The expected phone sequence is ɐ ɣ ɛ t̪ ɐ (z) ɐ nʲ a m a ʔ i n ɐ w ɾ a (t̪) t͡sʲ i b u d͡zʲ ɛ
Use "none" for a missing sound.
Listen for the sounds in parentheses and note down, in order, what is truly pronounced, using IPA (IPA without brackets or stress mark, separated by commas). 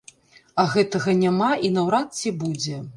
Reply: ɣ, t̪